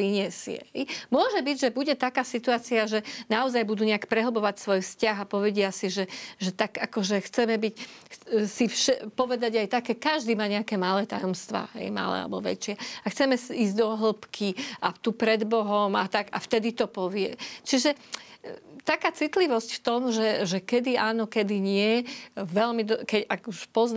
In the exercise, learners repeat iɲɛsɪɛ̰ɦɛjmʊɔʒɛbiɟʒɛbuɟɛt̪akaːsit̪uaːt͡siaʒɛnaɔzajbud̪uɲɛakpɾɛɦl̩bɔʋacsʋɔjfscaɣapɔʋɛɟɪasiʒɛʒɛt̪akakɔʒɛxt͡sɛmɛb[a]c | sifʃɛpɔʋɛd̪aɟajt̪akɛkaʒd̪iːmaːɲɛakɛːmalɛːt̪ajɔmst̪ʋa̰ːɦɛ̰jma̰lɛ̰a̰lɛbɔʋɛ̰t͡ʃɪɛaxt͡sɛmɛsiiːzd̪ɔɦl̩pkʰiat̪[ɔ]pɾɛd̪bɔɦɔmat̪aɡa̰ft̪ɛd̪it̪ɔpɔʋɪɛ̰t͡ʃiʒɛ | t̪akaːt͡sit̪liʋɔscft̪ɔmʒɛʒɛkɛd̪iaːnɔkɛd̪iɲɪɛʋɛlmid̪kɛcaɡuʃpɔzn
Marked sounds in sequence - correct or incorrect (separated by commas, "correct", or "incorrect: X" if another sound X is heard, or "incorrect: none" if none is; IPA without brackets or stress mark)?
incorrect: i, incorrect: u